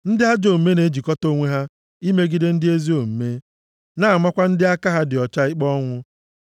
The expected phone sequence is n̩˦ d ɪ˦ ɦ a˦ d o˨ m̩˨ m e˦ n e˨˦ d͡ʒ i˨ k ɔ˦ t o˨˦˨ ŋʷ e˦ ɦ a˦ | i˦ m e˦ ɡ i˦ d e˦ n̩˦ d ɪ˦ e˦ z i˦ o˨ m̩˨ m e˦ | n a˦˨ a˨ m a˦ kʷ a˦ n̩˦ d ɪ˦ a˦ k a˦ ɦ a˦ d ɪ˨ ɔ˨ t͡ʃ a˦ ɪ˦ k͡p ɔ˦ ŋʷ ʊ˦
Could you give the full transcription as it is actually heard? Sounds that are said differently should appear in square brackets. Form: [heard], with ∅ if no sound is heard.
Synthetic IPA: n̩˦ d ɪ˦ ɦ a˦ [d͡ʒ] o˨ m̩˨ m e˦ n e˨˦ d͡ʒ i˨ k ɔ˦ t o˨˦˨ ŋʷ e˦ ɦ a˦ | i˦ m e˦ ɡ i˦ d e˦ n̩˦ d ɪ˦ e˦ z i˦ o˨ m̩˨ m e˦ | n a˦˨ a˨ m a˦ kʷ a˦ n̩˦ d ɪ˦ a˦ k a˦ ɦ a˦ d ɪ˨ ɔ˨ t͡ʃ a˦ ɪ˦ k͡p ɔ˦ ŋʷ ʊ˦